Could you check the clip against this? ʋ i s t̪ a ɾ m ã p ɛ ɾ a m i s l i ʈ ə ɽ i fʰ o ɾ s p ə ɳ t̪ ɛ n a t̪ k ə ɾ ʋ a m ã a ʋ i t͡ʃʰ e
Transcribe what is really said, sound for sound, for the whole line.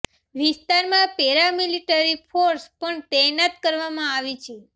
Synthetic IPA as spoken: ʋ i s t̪ a ɾ m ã p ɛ ɾ a m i l i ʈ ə ɾ i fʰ o ɾ s p ə ɳ t̪ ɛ n a t̪ k ə ɾ ʋ a m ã a ʋ i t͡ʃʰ e